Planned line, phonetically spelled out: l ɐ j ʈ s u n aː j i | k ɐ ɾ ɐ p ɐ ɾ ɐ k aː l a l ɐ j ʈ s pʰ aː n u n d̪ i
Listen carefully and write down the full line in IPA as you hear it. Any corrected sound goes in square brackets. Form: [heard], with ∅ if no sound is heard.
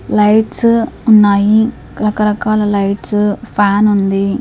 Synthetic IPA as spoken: l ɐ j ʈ s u [nː] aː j i | k ɐ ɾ ɐ [k] ɐ ɾ ɐ k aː l [ɐ] l ɐ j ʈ s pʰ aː n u n d̪ i